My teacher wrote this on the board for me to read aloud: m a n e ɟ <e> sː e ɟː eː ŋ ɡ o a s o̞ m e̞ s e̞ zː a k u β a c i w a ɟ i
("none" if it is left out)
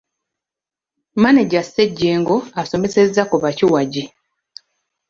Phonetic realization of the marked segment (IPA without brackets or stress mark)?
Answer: a